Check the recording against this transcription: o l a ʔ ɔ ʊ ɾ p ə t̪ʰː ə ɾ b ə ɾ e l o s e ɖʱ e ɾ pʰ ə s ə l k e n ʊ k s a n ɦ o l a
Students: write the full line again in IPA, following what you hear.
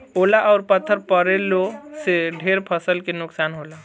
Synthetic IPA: o l a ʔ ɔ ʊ ɾ p ə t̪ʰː ə ɾ p ə ɾ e l o s e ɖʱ e ɾ pʰ ə s ə l k e n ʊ k s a n ɦ o l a

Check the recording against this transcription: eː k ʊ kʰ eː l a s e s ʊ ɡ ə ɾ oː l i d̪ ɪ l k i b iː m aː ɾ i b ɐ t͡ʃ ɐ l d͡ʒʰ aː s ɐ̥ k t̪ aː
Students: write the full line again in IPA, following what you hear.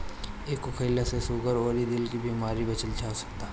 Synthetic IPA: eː k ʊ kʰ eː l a s e s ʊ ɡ ə ɾ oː ɾ i d̪ ɪ l k i b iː m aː ɾ i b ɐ t͡ʃ ə l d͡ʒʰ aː s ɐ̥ k t̪ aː

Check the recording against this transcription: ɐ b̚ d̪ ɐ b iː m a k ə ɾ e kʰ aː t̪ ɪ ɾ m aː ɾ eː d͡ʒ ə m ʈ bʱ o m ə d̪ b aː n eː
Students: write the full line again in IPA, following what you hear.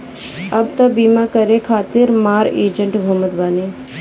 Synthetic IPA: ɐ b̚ t̪ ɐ b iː m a k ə ɾ e kʰ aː t̪ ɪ ɾ m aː ɾ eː d͡ʒ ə ɳ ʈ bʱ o m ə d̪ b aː n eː

